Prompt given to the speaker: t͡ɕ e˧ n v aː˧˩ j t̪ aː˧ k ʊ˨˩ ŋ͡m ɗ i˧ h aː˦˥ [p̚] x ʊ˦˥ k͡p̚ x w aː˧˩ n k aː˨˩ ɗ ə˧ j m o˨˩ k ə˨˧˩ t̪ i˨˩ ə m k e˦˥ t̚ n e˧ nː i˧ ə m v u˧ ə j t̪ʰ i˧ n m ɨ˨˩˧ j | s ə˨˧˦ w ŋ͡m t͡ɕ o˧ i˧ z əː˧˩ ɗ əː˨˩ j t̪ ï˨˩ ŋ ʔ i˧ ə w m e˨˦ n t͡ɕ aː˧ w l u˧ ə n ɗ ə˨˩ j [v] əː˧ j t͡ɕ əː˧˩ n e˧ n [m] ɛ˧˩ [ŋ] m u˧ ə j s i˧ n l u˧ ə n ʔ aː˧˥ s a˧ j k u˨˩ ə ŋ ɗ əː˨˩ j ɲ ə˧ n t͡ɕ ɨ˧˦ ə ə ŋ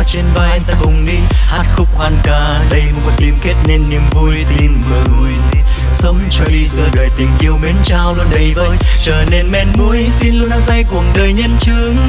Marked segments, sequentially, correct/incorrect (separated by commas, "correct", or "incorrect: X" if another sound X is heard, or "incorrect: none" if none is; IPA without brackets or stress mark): incorrect: t̚, correct, correct, incorrect: n